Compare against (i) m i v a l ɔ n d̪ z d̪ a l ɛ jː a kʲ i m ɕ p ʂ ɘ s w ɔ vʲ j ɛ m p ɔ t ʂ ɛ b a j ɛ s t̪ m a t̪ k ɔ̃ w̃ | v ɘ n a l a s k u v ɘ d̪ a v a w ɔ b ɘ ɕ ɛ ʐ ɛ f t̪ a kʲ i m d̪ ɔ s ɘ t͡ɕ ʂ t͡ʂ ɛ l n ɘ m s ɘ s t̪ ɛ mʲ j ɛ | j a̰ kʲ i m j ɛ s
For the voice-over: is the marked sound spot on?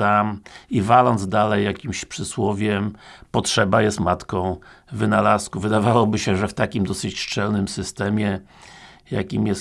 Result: no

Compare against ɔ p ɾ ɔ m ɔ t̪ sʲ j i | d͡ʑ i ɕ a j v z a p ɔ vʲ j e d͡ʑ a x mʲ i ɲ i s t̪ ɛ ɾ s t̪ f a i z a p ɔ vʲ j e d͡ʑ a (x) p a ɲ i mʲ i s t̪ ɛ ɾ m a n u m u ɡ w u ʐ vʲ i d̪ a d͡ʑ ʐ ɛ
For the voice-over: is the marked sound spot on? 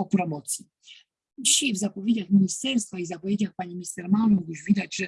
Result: yes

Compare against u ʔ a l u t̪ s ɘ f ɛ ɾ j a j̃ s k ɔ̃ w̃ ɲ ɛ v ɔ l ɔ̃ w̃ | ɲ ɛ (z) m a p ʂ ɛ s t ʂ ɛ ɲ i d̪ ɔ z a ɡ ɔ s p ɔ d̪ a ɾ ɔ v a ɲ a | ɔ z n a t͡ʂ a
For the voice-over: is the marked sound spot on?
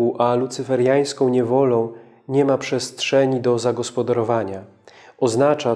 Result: no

